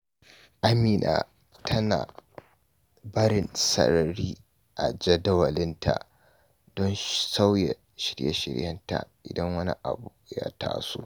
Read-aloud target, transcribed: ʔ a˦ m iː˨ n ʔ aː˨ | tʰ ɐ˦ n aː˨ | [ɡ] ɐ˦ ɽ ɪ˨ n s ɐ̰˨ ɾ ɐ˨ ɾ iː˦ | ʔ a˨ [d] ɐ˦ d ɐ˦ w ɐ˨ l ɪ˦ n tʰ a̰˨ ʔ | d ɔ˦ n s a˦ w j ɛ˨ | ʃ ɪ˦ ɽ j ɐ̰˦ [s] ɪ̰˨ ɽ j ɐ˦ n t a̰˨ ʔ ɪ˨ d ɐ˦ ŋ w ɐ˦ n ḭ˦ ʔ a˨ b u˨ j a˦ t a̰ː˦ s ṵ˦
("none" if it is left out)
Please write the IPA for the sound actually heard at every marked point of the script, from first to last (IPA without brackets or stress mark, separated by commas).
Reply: b, d͡ʒ, ʃ